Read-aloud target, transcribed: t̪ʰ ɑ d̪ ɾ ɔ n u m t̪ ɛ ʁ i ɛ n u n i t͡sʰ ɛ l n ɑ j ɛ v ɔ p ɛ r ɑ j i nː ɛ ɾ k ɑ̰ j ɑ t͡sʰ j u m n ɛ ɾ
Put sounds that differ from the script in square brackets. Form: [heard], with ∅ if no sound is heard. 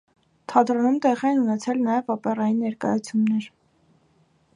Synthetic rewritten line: t̪ʰ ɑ d̪ ɾ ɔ n u m t̪ ɛ ʁ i ɛ n u n [ɛ] t͡sʰ ɛ l n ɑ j ɛ v ɔ p ɛ r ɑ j i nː ɛ ɾ k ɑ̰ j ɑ t͡sʰ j u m n ɛ ɾ